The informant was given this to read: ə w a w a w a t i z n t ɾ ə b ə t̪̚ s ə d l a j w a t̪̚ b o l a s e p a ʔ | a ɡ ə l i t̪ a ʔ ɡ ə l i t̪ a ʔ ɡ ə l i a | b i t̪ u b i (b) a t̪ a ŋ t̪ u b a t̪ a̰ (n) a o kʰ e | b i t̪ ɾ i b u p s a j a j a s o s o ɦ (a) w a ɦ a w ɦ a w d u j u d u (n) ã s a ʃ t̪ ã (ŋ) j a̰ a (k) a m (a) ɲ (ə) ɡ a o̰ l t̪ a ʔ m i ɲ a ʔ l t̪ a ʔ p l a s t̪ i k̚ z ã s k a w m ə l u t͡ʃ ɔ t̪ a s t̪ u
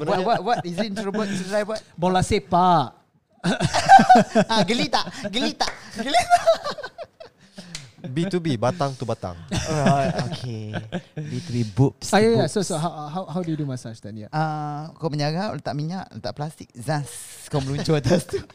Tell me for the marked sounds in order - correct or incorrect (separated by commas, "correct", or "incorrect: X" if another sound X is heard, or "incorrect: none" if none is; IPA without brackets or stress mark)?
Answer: correct, incorrect: ŋ, correct, incorrect: m, incorrect: n, correct, incorrect: ə, incorrect: a